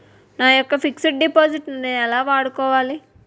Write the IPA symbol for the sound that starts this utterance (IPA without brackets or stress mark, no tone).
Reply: n